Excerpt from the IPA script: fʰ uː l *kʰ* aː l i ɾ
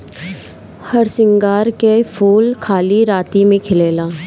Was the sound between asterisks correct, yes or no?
yes